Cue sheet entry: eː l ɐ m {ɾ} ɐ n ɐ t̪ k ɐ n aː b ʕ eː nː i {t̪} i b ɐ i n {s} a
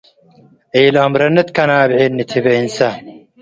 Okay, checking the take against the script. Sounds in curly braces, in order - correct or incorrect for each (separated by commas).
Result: correct, incorrect, correct